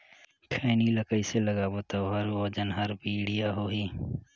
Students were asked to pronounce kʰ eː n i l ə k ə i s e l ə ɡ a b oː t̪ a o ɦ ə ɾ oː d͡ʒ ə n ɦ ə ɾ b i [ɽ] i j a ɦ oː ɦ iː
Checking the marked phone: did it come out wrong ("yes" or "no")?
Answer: no